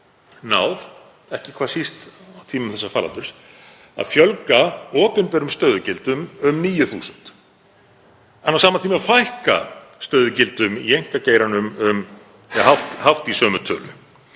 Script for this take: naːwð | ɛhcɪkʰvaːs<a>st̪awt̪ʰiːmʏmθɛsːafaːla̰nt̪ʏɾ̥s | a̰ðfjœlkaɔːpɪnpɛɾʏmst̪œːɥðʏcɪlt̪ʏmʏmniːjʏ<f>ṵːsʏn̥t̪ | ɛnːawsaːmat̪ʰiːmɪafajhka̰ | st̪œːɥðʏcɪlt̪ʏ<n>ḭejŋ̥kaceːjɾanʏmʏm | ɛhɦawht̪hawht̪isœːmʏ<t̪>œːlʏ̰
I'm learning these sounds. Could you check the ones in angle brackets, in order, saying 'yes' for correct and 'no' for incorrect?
no, no, no, no

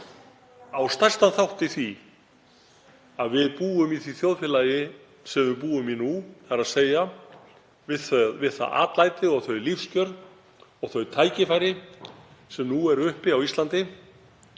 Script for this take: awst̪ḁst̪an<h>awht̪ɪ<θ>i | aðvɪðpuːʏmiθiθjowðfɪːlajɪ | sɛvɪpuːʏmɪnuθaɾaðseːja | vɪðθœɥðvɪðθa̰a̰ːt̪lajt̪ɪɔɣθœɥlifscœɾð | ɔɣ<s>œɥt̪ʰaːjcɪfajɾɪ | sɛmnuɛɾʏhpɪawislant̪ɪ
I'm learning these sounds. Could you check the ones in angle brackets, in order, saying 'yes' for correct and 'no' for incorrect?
no, yes, no

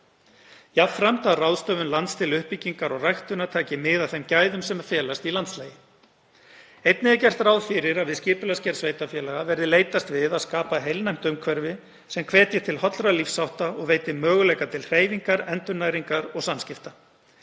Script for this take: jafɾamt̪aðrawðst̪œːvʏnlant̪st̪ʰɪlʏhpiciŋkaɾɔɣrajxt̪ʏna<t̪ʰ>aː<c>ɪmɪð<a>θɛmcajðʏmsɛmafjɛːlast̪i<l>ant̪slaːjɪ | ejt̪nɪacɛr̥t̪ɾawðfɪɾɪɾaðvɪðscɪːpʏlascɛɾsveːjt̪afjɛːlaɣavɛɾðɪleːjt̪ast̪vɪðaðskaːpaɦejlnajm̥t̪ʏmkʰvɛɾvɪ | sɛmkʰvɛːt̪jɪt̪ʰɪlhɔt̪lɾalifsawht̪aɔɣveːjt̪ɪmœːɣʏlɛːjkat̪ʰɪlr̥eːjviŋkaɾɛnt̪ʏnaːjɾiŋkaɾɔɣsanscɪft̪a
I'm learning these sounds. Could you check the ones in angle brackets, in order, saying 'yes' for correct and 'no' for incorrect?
yes, yes, yes, yes

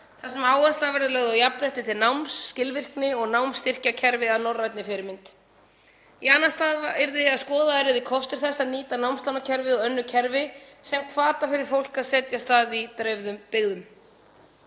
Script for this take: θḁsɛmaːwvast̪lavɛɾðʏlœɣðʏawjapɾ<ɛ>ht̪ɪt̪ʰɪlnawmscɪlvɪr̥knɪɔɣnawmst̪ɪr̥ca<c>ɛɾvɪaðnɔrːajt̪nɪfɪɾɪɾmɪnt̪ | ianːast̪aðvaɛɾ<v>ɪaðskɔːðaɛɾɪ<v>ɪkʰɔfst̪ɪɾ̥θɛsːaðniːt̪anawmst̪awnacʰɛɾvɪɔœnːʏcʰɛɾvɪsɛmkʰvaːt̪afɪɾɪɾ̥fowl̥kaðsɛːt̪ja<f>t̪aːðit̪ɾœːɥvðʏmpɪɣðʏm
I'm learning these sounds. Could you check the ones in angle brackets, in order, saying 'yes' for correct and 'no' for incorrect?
yes, no, no, no, no

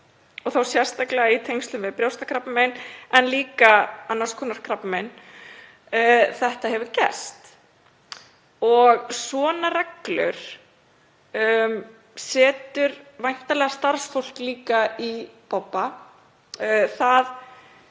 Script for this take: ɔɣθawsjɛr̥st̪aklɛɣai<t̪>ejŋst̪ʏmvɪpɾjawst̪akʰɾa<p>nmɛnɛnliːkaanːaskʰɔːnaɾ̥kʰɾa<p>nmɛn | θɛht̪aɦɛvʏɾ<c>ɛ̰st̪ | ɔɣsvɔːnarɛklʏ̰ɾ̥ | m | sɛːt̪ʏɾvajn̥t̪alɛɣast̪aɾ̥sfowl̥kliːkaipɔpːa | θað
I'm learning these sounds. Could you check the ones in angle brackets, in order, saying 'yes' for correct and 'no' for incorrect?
no, yes, yes, yes

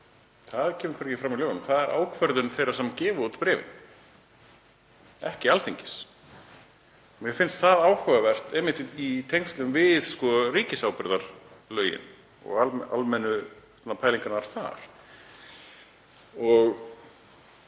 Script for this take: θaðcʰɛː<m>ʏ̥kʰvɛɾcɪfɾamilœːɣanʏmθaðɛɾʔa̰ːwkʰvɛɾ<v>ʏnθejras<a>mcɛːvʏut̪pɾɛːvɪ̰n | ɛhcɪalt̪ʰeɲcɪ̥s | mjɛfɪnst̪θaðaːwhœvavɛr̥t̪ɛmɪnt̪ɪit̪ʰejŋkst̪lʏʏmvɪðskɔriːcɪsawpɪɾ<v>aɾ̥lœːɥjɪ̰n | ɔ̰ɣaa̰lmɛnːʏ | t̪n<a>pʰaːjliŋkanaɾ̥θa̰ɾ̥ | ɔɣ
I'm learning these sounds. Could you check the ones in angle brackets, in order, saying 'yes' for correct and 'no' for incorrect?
yes, no, no, no, yes

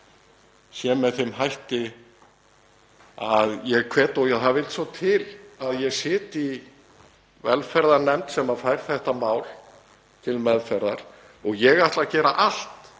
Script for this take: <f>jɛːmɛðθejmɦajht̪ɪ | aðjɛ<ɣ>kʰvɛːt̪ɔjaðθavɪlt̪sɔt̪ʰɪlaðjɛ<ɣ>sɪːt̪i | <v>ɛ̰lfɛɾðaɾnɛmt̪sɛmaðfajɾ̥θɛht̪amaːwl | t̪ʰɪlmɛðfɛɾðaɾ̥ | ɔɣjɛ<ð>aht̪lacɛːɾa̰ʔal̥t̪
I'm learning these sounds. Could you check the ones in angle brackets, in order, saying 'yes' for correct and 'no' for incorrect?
no, yes, yes, yes, no

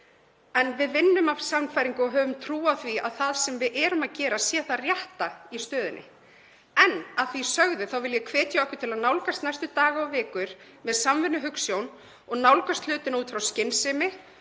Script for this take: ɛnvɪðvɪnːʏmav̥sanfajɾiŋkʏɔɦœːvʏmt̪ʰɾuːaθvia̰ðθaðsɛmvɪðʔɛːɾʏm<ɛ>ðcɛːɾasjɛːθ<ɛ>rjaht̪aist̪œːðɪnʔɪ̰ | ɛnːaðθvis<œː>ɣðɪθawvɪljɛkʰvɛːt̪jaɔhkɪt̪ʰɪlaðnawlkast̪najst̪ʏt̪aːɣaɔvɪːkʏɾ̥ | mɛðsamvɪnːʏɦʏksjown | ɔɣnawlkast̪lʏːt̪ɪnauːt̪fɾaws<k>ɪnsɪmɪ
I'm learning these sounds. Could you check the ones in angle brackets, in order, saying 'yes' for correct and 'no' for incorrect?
no, no, no, no

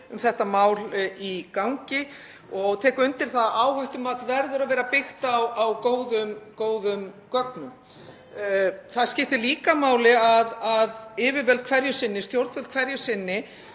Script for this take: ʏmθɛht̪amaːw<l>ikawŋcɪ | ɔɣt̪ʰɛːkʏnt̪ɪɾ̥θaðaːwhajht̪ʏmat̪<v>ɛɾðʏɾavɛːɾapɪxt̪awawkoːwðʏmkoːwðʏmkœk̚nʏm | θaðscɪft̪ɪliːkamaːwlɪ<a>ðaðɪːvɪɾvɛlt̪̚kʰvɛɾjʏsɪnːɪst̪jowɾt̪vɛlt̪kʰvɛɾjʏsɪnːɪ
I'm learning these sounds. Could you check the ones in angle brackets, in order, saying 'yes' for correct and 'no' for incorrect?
yes, yes, yes

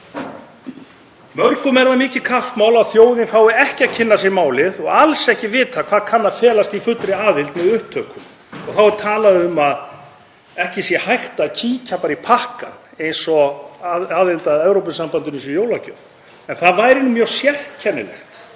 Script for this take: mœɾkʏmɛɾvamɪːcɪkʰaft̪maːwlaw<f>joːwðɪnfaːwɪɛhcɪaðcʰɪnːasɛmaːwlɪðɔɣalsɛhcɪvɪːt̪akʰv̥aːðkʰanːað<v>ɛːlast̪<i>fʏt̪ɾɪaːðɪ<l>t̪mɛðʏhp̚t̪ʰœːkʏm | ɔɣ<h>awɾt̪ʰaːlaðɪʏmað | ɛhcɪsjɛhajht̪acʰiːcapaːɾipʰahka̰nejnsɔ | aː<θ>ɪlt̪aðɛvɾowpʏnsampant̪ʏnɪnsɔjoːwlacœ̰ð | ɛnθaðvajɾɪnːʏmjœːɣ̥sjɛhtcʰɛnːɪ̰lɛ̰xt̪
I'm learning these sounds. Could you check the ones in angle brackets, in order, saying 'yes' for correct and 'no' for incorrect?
no, no, yes, yes, no, no

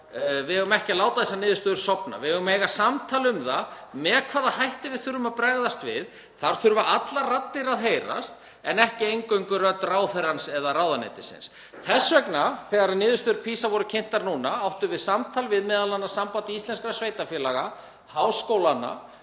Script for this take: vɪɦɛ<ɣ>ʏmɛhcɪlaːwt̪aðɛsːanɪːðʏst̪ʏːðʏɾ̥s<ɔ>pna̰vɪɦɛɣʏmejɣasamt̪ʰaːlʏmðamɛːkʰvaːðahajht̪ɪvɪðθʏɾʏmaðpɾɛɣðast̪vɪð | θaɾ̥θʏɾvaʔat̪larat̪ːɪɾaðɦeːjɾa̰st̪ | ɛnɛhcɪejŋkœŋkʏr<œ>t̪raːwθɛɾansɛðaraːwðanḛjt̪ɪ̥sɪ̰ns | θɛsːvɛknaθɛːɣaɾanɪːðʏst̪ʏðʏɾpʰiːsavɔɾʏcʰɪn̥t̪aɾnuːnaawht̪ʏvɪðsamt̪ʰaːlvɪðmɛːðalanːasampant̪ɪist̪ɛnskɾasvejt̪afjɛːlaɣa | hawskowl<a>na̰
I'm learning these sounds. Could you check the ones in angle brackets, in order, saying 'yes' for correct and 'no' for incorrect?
yes, yes, yes, yes

